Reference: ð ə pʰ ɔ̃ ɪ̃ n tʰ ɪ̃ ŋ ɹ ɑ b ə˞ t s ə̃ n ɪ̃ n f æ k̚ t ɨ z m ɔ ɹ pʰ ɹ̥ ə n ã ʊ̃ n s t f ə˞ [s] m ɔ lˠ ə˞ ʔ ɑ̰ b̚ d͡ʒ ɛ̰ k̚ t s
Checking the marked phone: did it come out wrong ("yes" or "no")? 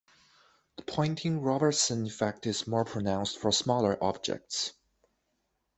no